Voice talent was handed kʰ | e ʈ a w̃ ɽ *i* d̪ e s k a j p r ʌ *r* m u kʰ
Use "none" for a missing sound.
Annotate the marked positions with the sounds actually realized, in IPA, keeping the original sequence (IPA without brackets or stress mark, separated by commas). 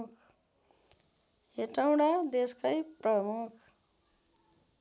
a, none